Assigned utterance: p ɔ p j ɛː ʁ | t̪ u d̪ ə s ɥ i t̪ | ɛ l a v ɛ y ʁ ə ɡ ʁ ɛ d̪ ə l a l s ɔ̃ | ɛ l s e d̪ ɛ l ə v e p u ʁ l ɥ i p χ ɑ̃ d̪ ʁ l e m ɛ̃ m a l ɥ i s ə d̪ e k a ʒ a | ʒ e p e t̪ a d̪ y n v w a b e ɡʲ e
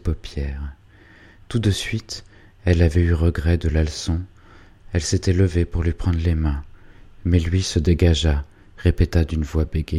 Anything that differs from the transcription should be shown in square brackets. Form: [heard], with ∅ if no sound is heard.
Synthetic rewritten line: p ɔ p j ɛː ʁ | t̪ u d̪ ə s ɥ i t̪ | ɛ l a v ɛ y ʁ ə ɡ ʁ ɛ d̪ ə l a l s ɔ̃ | ɛ l s e [t̪] ɛ l ə v e p u ʁ l ɥ i p χ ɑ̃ d̪ ʁ l e m ɛ̃ m [ɛ] l ɥ i s ə d̪ e [ɡ] a ʒ a | [ʁ] e p e t̪ a d̪ y n v w a b e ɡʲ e